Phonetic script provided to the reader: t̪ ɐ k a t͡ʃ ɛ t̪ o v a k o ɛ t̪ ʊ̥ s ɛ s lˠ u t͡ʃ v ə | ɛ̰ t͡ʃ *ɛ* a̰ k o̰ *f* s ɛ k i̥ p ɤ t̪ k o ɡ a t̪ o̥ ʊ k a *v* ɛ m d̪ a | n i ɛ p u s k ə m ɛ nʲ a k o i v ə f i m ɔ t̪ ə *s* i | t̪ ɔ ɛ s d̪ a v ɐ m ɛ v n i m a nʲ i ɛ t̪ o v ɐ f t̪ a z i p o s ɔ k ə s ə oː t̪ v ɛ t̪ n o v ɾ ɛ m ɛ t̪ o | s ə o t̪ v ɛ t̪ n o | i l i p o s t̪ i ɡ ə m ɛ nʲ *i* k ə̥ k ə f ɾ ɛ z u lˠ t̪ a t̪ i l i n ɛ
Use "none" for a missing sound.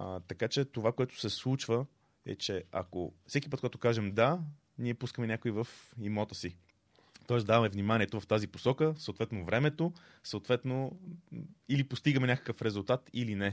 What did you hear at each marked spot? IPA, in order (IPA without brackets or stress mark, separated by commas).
ɛ, f, ʒ, s, a